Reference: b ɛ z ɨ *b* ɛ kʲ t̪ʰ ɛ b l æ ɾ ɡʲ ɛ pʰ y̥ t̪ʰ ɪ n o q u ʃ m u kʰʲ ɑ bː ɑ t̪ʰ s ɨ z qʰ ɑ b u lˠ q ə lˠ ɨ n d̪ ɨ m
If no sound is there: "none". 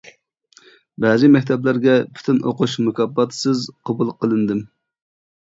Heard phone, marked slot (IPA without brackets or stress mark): m